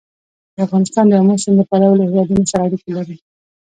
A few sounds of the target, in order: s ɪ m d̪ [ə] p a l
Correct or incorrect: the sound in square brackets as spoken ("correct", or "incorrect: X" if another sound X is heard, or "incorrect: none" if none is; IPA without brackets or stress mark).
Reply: correct